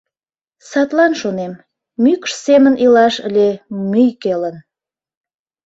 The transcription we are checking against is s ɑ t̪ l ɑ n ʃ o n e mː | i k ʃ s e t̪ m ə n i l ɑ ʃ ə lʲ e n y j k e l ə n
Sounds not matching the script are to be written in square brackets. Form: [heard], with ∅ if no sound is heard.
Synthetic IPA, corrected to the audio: s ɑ t̪ l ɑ n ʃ o n e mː | [y] k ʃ s e [∅] m ə n i l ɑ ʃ ə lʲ e [m] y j k e l ə n